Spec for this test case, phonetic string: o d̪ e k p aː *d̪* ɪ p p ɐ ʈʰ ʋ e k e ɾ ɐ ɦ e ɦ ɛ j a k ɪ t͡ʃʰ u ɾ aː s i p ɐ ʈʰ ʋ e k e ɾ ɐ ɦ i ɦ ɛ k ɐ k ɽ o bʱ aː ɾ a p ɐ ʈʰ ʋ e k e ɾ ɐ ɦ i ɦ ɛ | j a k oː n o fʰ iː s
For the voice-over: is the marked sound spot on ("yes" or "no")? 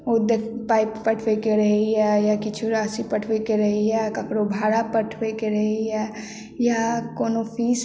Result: no